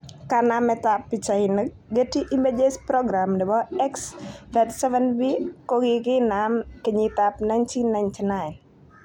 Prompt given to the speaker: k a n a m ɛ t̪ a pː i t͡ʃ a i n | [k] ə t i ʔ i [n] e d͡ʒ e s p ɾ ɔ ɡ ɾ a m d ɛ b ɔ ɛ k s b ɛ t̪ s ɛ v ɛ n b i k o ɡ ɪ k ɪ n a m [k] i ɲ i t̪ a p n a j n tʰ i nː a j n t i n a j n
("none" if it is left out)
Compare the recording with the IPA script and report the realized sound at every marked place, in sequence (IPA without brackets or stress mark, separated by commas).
ɡ, m, k